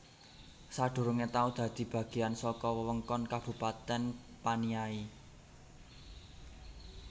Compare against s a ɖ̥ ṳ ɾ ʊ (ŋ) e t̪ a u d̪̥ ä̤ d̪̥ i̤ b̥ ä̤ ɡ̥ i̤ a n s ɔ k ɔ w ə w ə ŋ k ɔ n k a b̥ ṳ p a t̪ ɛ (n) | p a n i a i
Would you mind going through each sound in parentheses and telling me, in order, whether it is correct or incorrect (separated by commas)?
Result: correct, correct